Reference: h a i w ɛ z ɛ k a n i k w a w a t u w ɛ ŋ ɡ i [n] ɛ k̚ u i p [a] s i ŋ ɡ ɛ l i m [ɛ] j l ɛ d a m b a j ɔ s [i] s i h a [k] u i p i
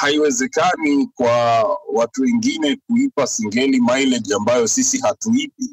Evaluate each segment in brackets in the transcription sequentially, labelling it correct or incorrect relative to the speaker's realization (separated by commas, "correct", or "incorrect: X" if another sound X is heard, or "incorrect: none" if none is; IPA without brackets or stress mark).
correct, correct, incorrect: a, correct, incorrect: t